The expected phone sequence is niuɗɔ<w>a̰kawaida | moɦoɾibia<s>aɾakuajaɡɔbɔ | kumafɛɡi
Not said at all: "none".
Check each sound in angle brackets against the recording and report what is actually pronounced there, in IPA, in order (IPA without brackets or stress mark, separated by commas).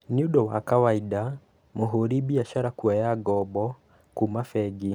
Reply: w, ʃ